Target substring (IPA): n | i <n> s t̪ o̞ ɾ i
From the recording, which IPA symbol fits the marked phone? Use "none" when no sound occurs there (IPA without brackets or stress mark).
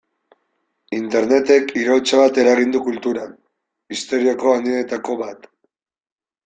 none